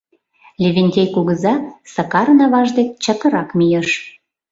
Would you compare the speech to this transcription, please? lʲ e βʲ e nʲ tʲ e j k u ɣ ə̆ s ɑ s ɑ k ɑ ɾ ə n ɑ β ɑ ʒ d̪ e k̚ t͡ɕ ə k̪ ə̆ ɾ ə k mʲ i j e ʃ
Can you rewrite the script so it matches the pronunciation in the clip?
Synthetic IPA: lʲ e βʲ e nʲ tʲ e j k u ɣ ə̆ z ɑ s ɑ k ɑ ɾ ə n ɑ β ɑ ʒ d̪ e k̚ t͡ɕ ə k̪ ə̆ ɾ ɑ k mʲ i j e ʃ

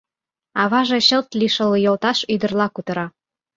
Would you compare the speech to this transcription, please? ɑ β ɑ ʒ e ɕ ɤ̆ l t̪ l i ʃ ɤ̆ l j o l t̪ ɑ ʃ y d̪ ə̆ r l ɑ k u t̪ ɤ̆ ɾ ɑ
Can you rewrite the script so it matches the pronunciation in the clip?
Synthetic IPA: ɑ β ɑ ʒ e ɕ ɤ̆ l t̪ l i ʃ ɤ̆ l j o l t̪ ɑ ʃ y d̪ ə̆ r l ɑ k u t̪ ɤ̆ ɾ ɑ

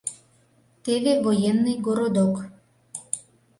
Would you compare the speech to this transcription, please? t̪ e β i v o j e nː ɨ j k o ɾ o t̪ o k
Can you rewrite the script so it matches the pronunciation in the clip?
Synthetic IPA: t̪ e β e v o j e nː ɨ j ɡ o ɾ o d̪ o k

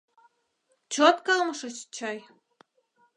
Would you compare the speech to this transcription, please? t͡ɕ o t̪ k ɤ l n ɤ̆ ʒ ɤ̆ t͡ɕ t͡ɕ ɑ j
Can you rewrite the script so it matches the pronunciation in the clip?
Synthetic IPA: t͡ɕ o t̪ k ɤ l m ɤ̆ ʃ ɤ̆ t͡ɕ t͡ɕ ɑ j

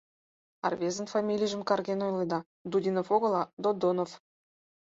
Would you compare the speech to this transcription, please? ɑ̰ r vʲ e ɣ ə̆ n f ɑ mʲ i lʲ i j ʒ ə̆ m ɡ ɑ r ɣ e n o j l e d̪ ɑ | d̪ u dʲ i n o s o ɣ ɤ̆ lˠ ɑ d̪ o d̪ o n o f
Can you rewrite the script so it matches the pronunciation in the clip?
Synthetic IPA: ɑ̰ r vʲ e z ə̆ n f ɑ mʲ i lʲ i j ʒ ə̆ m k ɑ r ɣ e n o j l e d̪ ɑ | d̪ u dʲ i n o f o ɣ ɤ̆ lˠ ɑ d̪ o d̪ o n o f

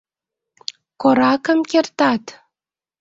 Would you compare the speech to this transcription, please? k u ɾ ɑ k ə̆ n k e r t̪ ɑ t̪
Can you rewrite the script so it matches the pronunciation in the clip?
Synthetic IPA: k o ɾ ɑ k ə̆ m k e r t̪ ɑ t̪

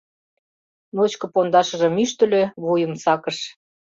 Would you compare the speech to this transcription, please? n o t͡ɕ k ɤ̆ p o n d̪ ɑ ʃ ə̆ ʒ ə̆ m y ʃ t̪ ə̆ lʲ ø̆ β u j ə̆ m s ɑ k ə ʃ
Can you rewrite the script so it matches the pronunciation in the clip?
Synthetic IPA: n o t͡ɕ k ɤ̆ p o n d̪ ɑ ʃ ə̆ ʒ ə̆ m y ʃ t̪ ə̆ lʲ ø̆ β u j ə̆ m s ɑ k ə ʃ

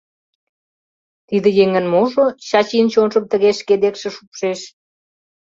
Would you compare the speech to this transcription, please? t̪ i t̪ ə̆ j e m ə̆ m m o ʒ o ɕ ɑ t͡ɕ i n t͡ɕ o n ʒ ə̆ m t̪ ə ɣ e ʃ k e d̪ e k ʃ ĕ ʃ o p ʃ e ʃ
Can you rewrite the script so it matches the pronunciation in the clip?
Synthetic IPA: t̪ i d̪ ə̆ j e ŋ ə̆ n m o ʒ o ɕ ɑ t͡ɕ i n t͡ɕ o n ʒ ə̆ m t̪ ə ɣ e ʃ k e d̪ e k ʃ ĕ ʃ u p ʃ e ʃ

